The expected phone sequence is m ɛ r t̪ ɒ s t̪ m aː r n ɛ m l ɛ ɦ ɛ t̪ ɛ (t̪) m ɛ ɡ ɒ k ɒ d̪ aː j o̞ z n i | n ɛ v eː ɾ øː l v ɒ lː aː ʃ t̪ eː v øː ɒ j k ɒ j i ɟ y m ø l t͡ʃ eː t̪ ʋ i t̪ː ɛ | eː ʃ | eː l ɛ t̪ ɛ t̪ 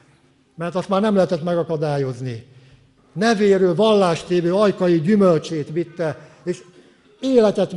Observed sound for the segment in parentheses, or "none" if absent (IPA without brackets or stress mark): t̪